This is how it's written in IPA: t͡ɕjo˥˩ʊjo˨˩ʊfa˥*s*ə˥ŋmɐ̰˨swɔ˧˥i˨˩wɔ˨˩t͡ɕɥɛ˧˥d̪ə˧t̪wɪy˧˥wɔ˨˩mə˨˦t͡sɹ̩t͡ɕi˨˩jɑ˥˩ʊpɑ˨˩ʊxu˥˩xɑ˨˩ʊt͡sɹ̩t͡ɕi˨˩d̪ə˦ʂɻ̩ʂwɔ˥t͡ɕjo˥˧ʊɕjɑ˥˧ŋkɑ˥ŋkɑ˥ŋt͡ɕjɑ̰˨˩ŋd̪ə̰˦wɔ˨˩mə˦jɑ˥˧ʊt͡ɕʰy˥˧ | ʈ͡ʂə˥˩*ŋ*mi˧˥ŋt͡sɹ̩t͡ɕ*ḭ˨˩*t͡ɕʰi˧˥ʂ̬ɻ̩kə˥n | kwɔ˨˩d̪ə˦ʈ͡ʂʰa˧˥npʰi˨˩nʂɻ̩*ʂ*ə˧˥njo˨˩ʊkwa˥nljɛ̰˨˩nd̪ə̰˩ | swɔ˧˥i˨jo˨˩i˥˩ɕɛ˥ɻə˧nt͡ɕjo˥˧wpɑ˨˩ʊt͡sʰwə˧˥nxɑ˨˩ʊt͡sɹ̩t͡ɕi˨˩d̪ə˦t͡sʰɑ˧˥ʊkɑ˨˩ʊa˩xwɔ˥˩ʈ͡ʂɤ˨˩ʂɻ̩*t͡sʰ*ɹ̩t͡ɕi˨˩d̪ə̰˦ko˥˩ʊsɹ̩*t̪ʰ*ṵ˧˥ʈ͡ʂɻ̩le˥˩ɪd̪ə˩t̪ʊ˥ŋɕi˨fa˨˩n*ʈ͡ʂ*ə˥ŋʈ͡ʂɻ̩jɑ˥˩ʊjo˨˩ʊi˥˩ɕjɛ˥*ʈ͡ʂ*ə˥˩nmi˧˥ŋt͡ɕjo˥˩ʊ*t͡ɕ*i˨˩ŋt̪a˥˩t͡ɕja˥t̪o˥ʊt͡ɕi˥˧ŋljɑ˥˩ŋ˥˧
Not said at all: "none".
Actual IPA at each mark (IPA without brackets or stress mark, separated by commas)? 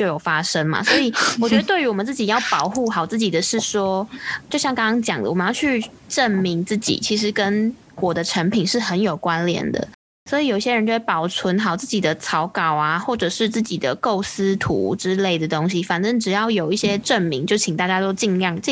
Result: ʂ, n, ḭ˨˩, x, t͡s, t̪ʰ, ʈ͡ʂ, ʈ͡ʂ, t͡ɕʰ